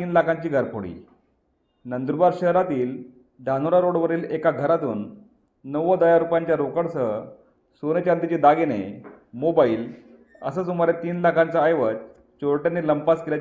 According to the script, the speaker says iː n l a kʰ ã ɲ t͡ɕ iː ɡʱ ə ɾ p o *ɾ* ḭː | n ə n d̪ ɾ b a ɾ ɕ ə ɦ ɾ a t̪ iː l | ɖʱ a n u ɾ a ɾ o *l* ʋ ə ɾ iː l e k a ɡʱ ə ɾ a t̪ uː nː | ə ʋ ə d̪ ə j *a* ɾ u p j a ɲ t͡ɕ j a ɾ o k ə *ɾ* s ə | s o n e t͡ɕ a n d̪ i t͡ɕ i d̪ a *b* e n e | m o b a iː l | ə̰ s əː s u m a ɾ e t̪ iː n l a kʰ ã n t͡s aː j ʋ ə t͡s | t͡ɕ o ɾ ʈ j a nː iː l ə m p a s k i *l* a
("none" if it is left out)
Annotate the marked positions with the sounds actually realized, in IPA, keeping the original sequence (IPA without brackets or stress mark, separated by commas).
ɽ, ɽ, a, ɽ, ɡ, l